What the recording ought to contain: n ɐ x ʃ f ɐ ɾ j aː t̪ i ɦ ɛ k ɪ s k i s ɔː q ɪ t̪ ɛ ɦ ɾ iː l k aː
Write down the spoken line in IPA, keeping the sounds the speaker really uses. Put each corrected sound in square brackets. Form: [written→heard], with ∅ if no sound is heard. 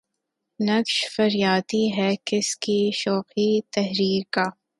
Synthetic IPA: n ɐ [x→k] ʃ f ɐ ɾ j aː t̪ i ɦ ɛ k ɪ s k i [s→ʃ] ɔː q [ɪ→i] t̪ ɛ ɦ ɾ iː [l→ɾ] k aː